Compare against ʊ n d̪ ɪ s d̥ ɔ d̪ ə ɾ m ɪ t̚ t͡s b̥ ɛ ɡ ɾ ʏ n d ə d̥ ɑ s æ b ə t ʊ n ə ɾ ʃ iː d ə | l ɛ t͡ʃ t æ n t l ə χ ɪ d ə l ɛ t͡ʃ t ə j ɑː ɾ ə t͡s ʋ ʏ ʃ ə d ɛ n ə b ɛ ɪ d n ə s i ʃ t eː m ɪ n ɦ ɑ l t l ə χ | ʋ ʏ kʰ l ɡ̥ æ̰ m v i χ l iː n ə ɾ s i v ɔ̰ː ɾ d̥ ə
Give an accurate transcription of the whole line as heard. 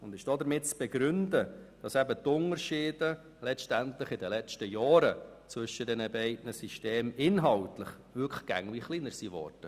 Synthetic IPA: ʊ n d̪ ɪ ʃ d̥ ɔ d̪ ə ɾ m ɪ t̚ t͡s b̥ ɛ ɡ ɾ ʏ n d ə d̥ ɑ s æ b ə t ʊ n ə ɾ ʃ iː d ə | l ɛ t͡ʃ t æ n t l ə χ ɪ d ə l ɛ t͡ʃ t ə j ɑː ɾ ə t͡s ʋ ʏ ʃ ə d ɛ n ə b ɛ ɪ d n ə s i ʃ t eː m ɪ n ɦ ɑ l t l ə χ | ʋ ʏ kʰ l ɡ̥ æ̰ ŋ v i χ l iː n ə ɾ s i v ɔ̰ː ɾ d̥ ə